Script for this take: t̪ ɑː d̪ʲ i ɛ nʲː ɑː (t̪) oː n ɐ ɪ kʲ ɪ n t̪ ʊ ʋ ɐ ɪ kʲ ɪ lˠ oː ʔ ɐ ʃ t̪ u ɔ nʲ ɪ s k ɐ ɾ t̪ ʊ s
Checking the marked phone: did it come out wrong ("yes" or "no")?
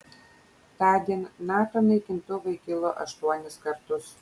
no